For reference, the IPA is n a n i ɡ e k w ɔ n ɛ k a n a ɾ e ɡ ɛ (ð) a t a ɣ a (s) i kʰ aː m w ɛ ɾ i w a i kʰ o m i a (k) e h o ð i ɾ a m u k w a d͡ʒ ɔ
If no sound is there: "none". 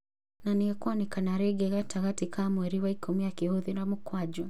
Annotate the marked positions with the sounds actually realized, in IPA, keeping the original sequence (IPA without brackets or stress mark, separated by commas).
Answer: ɣ, t, k